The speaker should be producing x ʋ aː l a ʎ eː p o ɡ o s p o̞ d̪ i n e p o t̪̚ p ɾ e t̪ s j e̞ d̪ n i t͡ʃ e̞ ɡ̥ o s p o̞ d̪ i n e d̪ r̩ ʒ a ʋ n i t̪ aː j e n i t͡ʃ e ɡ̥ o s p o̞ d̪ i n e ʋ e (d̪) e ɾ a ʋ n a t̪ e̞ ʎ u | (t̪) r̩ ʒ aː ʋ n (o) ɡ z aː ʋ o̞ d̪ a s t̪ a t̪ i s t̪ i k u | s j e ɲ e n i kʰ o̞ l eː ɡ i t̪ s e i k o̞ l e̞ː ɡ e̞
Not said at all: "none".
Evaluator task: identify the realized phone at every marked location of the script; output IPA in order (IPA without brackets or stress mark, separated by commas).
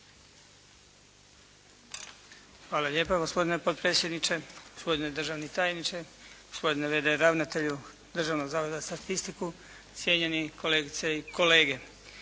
d̪, d̪, o